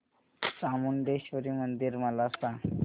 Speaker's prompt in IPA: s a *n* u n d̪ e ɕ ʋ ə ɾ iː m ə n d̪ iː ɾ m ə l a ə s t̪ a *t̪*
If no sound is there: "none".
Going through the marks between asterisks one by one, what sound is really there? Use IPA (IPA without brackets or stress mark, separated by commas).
m, none